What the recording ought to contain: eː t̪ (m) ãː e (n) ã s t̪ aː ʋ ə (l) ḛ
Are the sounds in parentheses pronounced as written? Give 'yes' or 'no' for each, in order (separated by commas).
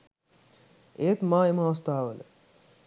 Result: yes, no, yes